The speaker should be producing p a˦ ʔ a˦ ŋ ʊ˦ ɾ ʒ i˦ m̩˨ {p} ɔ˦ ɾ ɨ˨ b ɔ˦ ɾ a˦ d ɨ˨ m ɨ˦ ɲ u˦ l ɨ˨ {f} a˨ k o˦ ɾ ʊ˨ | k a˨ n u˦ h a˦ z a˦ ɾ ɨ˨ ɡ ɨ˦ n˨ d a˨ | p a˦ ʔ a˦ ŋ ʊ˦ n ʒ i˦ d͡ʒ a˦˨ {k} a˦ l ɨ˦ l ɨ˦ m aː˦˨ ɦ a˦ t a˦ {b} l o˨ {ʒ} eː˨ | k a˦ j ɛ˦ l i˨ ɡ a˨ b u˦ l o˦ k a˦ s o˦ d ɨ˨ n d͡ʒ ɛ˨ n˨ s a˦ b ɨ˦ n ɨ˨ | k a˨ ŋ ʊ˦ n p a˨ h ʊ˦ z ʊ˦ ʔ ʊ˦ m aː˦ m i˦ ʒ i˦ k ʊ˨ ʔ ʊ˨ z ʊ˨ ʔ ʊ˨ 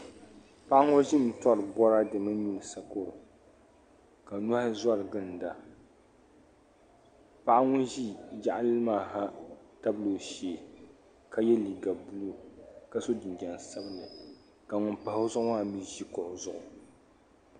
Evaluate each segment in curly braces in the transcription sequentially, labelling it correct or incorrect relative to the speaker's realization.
incorrect: t, incorrect: s, incorrect: ʔ, correct, incorrect: ʃ

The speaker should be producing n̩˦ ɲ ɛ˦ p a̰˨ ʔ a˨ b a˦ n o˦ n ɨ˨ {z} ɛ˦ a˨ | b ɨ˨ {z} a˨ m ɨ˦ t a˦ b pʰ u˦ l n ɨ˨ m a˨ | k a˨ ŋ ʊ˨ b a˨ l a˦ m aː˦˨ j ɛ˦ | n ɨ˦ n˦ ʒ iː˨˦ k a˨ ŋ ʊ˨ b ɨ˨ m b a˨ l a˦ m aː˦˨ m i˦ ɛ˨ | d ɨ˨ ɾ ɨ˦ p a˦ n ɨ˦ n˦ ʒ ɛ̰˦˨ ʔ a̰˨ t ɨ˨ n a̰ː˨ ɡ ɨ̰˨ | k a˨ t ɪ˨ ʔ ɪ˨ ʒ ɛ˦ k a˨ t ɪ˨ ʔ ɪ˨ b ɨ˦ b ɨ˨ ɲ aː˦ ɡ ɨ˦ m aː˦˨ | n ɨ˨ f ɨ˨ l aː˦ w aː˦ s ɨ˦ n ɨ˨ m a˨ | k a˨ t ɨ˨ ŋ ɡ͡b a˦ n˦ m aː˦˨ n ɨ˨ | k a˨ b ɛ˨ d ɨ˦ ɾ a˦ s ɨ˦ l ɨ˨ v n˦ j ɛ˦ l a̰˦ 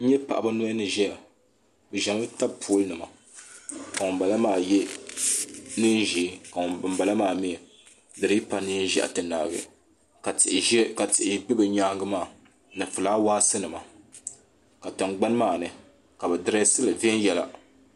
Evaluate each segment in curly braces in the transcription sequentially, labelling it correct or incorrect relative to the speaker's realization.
incorrect: ʒ, incorrect: ʒ

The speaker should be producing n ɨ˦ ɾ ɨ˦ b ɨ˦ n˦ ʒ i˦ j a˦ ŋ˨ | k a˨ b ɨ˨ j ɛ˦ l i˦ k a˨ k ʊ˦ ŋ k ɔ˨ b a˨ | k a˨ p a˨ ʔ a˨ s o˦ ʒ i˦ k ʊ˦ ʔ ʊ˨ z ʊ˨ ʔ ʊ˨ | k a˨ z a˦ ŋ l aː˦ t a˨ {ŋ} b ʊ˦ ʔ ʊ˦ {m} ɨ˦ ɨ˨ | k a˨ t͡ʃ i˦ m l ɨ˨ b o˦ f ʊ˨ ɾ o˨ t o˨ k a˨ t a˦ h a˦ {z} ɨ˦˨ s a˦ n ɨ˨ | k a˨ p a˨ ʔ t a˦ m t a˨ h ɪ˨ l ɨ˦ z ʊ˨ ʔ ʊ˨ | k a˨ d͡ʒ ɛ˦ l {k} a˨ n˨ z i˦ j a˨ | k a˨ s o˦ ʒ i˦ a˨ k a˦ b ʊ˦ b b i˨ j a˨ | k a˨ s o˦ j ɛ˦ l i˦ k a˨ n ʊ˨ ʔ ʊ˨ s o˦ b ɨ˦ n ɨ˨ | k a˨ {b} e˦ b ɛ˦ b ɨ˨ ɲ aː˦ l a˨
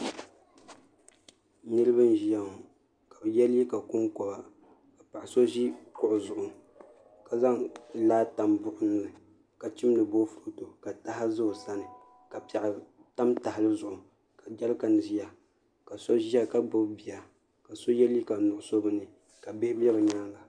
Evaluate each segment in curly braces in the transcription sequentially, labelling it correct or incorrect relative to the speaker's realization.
incorrect: m, incorrect: n, correct, correct, correct

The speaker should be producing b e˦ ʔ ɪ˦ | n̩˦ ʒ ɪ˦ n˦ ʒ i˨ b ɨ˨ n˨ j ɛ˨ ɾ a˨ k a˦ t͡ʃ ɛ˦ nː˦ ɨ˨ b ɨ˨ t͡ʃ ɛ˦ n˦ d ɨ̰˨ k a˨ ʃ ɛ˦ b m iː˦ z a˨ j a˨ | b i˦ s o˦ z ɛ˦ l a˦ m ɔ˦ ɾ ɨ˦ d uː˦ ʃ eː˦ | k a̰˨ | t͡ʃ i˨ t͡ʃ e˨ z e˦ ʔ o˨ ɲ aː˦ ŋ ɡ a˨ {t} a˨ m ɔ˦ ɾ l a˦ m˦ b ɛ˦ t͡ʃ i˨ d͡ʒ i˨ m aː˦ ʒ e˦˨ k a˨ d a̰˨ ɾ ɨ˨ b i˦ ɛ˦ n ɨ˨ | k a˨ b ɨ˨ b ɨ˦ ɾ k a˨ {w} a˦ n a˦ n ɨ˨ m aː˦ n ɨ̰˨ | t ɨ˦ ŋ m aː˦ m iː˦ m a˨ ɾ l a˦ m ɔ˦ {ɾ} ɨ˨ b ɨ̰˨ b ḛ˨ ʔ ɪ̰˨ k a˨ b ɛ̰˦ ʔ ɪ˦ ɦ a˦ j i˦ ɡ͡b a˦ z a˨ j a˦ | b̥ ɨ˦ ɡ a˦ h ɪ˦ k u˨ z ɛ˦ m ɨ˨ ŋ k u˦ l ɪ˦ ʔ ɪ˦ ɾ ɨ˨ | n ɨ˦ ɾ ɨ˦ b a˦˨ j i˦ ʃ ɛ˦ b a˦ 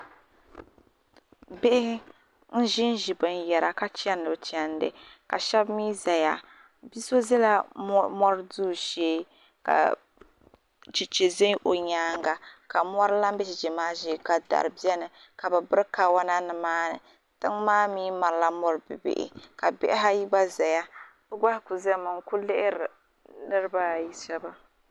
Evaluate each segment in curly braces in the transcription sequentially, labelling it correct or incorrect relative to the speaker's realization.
incorrect: k, correct, correct

